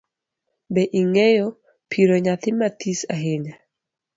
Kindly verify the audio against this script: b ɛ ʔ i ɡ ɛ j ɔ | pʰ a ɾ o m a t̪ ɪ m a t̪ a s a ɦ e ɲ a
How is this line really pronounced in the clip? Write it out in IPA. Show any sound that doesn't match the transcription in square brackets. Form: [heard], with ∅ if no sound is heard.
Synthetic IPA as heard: b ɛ ʔ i [ŋ] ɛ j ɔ | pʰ [i] ɾ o [ɲ] a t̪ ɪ m a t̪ [i] s a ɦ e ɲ a